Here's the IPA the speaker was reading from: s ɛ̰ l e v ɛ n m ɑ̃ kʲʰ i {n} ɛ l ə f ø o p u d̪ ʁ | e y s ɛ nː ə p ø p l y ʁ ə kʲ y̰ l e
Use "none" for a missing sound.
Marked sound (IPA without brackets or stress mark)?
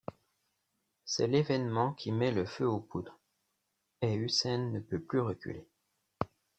m